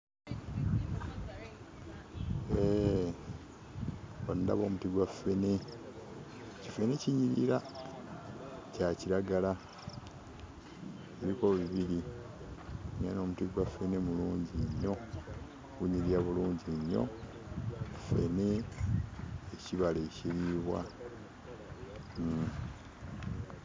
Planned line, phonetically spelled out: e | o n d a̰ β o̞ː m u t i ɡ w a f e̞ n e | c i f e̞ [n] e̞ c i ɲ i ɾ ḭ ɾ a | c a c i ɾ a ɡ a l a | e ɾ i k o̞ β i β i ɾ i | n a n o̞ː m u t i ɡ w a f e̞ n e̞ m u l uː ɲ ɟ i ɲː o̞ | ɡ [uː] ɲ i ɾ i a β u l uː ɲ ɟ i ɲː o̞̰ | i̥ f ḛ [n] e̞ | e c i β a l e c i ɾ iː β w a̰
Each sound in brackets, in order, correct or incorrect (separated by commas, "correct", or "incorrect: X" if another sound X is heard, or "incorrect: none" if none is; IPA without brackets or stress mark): correct, incorrect: u, correct